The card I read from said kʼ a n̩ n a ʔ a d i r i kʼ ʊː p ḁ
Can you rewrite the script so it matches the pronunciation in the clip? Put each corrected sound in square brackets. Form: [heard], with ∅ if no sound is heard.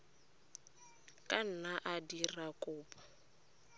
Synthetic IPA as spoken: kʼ a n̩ n a ʔ a d i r [a] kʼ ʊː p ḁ